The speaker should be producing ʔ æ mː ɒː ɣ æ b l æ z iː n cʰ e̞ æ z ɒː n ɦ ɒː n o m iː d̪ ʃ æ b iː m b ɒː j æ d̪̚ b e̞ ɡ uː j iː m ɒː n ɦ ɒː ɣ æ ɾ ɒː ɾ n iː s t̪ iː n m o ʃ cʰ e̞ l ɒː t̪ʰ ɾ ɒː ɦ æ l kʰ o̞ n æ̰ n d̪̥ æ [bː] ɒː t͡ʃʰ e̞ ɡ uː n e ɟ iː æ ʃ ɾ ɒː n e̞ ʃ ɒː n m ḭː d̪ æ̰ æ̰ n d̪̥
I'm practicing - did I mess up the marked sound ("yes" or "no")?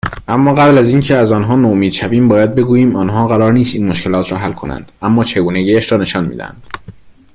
yes